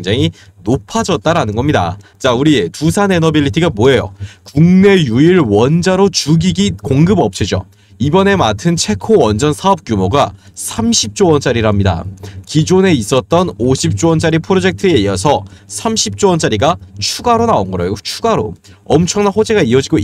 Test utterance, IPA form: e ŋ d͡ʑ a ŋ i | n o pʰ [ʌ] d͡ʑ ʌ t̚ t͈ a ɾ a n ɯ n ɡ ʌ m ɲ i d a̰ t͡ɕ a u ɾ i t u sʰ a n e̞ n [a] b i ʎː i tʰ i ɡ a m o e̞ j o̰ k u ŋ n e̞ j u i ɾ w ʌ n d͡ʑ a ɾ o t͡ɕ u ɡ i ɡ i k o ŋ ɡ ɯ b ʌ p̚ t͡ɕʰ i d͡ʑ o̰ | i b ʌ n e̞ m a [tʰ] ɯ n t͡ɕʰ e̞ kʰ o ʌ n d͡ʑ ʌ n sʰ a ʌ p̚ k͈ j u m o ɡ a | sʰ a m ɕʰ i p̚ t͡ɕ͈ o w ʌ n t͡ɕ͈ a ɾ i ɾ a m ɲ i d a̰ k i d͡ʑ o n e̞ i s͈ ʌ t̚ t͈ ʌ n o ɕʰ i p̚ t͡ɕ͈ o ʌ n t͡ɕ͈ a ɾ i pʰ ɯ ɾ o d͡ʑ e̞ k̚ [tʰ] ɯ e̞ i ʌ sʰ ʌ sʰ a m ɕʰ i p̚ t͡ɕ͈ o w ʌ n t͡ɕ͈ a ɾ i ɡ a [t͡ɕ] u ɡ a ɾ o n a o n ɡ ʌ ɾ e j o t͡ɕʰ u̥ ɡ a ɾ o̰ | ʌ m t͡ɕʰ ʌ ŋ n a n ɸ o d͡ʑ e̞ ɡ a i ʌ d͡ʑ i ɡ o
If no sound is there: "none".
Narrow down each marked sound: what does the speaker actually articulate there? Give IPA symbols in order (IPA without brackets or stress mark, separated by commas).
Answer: a, ʌ, tʰ, tʰ, t͡ɕʰ